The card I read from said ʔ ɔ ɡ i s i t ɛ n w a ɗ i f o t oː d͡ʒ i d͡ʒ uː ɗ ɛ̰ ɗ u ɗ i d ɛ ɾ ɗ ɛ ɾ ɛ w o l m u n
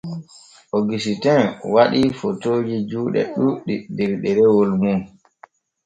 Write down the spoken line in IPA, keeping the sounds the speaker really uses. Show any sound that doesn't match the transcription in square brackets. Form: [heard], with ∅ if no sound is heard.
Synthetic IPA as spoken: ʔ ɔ ɡ i s i t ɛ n w a ɗ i f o t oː d͡ʒ i d͡ʒ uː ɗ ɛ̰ ɗ u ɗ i d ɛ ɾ ɗ ɛ ɾ ɛ w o l m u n